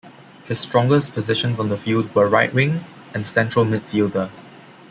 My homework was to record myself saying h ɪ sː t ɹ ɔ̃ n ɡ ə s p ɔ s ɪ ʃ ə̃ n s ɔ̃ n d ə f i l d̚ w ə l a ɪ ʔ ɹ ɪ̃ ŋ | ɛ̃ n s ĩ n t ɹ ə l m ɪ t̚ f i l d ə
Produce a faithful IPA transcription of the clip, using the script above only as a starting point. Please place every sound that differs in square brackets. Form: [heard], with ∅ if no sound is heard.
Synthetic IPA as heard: h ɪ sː t ɹ ɔ̃ [ŋ] ɡ ə s p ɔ [z] ɪ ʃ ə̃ n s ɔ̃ n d ə f i l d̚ w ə [ɹ] a ɪ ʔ ɹ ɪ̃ ŋ | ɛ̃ n s [ɛ̃] n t ɹ ə l m ɪ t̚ f i l d ə